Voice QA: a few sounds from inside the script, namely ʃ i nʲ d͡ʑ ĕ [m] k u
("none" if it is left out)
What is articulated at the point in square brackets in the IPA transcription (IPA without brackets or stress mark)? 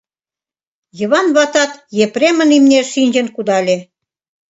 n